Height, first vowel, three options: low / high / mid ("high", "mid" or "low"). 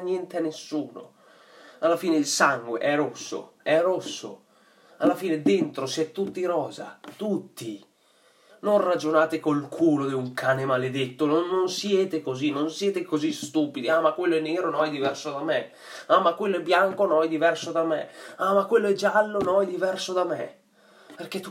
mid